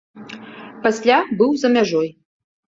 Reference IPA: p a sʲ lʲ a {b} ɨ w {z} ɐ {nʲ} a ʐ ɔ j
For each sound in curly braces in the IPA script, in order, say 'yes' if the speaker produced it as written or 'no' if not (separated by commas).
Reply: yes, yes, no